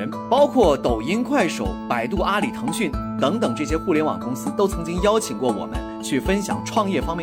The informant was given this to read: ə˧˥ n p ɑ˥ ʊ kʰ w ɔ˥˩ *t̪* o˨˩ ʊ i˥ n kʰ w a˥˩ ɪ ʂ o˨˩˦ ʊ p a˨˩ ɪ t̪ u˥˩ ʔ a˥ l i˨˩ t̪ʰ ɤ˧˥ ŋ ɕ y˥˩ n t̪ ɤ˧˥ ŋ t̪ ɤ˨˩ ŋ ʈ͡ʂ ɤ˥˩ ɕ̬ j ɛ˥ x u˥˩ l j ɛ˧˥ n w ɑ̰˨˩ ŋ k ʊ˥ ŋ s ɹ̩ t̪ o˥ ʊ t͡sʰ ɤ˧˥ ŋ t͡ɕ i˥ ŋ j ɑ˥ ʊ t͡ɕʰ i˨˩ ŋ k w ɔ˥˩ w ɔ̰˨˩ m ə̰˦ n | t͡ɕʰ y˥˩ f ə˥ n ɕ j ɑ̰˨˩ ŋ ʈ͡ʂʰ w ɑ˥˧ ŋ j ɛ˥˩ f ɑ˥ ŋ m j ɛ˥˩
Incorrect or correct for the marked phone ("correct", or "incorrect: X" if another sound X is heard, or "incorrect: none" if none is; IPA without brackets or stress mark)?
correct